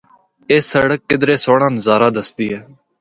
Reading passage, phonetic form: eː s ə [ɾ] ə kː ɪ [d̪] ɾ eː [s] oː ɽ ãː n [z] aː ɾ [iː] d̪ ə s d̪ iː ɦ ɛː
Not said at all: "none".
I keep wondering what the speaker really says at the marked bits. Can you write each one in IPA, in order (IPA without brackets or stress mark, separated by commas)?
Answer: ɽ, d̪, s, z, aː